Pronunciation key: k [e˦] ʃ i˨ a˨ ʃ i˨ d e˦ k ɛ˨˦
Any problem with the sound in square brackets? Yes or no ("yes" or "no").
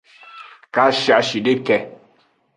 yes